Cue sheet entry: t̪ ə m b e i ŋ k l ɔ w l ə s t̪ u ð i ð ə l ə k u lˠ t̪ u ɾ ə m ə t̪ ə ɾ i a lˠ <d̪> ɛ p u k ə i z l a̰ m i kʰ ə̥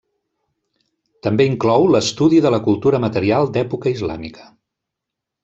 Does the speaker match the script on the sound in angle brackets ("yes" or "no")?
yes